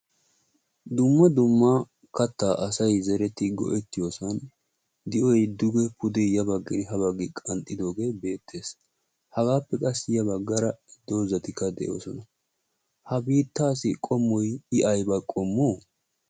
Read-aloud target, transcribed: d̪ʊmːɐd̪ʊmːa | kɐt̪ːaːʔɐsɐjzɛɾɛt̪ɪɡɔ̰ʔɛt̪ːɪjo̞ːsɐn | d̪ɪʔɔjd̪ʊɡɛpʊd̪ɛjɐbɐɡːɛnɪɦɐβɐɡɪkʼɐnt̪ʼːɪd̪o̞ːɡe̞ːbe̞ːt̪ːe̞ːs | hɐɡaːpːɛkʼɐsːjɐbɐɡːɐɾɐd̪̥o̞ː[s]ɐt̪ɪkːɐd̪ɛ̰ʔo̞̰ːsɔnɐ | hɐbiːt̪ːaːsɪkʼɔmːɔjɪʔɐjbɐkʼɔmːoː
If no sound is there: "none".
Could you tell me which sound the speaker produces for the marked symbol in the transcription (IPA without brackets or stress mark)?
z